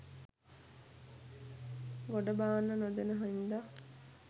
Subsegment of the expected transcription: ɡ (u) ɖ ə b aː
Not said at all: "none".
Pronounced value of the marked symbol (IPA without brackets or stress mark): o